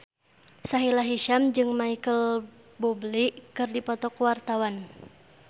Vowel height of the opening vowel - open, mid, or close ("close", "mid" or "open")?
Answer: open